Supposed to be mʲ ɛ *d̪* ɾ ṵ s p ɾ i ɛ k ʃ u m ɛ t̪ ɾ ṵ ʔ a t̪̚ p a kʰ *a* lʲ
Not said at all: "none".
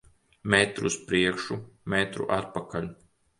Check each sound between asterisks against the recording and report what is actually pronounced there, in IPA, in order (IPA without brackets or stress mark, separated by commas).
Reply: t̪, a